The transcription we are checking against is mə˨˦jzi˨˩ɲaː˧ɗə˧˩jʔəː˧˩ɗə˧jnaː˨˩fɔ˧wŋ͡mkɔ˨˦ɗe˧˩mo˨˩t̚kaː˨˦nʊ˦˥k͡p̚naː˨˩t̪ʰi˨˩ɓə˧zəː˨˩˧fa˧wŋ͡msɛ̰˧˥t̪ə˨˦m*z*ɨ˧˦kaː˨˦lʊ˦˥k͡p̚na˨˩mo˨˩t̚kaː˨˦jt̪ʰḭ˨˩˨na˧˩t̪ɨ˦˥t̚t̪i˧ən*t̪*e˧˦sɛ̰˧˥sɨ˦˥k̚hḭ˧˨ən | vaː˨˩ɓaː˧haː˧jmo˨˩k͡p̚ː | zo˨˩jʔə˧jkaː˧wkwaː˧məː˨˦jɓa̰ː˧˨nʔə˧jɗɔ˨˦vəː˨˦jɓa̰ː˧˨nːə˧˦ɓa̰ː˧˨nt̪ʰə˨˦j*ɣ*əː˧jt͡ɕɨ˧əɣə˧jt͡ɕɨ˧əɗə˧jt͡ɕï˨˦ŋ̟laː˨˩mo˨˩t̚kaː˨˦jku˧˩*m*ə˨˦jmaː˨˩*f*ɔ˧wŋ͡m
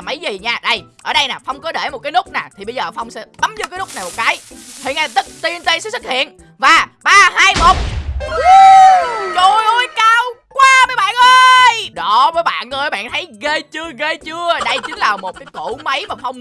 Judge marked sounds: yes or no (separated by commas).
yes, yes, yes, yes, yes